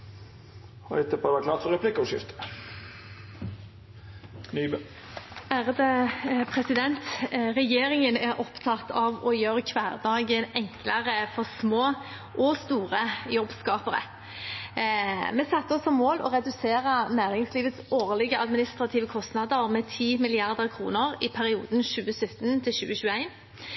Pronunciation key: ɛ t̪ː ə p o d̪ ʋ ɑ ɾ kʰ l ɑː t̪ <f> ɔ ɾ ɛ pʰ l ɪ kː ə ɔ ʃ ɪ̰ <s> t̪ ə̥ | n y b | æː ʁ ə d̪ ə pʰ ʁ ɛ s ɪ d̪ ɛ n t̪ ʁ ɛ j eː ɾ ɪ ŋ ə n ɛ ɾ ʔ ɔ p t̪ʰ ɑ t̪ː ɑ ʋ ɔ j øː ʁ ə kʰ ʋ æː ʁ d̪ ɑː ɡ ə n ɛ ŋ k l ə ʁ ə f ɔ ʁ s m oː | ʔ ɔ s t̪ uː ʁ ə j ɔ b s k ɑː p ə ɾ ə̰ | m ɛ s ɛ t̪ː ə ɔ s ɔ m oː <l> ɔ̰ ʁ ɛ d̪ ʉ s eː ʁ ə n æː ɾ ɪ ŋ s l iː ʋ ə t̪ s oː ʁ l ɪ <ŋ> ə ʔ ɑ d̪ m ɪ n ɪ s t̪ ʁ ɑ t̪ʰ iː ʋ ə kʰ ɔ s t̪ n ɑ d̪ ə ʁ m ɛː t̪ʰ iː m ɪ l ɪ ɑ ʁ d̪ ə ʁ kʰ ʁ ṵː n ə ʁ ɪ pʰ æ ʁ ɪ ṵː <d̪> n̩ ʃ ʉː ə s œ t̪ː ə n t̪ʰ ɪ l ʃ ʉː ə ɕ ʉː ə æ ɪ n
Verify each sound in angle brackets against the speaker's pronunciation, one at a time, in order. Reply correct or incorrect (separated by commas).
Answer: correct, incorrect, correct, incorrect, correct